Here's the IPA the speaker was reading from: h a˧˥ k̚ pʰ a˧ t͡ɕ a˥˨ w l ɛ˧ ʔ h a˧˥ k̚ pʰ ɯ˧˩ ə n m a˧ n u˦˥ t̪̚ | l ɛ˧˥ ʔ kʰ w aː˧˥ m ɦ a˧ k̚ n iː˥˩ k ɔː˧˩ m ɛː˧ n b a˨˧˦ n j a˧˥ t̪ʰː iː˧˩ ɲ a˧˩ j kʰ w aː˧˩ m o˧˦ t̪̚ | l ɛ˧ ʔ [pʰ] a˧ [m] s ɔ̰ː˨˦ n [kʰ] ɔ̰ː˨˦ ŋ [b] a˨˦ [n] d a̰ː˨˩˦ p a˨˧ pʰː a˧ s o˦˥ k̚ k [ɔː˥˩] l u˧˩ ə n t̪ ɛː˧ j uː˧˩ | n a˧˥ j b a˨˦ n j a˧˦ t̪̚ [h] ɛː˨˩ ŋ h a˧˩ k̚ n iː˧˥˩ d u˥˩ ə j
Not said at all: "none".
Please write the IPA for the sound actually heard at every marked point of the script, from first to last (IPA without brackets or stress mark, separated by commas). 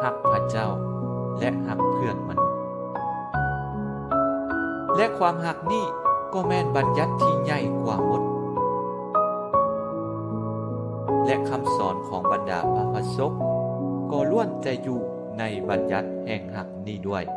kʰ, m, kʰ, b, n, ɔː˧˩, h